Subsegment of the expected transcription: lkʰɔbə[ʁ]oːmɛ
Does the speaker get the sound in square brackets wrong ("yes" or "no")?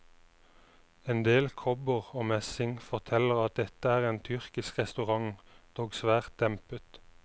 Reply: no